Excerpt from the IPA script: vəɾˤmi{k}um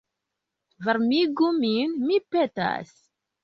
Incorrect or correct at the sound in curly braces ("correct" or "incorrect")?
incorrect